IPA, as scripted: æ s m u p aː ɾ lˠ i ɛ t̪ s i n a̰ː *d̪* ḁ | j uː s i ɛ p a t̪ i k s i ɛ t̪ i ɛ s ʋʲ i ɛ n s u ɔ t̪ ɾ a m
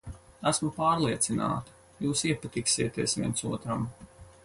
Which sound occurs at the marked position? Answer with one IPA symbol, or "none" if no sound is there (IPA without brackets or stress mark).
t̪